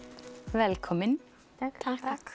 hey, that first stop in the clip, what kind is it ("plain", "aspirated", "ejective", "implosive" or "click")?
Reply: aspirated